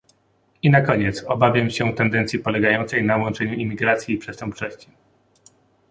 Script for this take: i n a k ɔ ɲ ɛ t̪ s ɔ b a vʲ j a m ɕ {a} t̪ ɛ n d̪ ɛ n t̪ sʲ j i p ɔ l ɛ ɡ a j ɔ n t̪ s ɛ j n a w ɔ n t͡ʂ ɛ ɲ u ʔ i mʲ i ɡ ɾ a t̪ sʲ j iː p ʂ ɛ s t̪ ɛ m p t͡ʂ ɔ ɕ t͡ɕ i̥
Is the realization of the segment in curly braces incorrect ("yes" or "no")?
yes